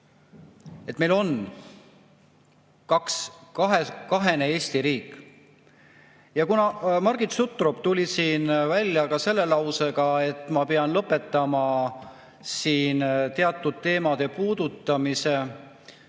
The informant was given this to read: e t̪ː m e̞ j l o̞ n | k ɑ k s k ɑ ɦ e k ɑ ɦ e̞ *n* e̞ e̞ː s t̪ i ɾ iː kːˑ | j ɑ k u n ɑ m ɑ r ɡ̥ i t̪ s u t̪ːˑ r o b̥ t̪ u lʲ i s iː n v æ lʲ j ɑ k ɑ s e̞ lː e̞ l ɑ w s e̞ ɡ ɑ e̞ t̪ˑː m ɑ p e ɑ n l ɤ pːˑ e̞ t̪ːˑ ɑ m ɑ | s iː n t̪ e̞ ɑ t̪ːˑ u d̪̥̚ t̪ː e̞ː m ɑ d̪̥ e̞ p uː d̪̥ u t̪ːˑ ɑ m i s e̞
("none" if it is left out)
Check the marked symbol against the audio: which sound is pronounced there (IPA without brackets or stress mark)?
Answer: n